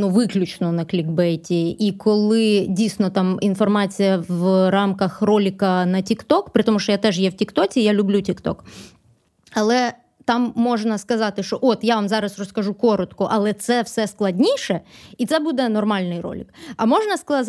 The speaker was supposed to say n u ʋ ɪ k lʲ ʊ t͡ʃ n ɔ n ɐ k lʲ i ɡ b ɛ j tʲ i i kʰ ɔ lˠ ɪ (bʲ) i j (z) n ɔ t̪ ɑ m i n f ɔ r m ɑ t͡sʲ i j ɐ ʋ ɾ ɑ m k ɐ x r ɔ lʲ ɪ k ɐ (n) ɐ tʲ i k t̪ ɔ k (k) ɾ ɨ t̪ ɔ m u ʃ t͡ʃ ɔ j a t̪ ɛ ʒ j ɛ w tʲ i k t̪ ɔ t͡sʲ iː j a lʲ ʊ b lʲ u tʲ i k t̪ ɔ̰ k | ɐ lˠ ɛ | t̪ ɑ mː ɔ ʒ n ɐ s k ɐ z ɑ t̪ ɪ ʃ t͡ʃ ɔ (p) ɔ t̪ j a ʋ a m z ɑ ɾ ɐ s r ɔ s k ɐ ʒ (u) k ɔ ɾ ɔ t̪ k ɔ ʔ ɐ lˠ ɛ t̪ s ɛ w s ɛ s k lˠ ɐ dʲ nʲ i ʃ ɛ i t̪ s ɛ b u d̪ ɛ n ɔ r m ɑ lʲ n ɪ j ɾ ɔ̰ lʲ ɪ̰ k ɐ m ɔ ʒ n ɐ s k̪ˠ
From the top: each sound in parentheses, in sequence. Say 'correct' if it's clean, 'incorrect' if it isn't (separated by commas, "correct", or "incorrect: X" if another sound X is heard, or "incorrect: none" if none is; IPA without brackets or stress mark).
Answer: incorrect: dʲ, incorrect: s, correct, incorrect: p, incorrect: ʔ, correct